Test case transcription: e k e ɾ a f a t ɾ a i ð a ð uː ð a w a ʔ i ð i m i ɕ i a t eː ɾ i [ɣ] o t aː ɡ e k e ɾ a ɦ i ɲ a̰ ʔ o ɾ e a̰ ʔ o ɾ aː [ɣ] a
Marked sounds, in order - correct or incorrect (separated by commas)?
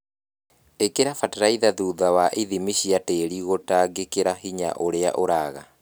correct, correct